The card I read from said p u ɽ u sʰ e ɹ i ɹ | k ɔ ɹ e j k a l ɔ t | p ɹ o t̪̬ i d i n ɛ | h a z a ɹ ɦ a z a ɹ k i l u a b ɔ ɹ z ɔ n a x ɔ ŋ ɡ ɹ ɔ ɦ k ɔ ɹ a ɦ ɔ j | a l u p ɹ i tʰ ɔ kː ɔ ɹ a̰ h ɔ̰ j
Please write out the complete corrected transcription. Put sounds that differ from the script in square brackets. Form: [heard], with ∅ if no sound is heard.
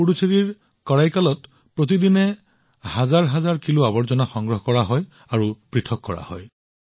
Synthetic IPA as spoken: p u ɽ u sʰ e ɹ i ɹ | k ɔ ɹ [a] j k a l ɔ t | p ɹ o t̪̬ i d i n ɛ | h a z a ɹ ɦ a z a ɹ k i l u a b ɔ ɹ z ɔ n a x ɔ ŋ ɡ ɹ ɔ ɦ k ɔ ɹ a ɦ ɔ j | a [ɹ] u p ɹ i tʰ ɔ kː ɔ ɹ a̰ h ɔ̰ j